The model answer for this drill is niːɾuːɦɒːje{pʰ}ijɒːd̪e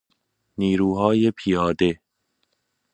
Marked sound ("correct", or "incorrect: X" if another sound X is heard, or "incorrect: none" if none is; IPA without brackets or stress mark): correct